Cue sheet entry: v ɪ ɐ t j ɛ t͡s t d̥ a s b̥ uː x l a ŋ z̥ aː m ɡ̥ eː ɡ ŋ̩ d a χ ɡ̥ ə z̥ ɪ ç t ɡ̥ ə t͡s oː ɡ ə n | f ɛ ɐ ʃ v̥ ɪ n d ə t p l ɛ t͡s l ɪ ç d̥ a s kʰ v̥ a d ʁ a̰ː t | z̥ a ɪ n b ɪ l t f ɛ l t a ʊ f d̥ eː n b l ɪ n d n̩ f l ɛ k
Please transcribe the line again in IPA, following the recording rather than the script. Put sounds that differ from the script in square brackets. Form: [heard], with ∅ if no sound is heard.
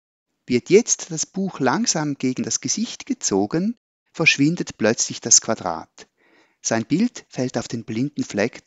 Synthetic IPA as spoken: v ɪ ɐ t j ɛ t͡s t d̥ a s b̥ uː x l a ŋ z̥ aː m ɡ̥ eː ɡ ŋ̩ d a [s] ɡ̥ ə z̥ ɪ ç t ɡ̥ ə t͡s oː ɡ ə n | f ɛ ɐ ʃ v̥ ɪ n d ə t p l [œ] t͡s l ɪ ç d̥ a s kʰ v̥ a d ʁ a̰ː t | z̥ a ɪ n b ɪ l t f ɛ l t a ʊ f d̥ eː n b l ɪ n d n̩ f l ɛ k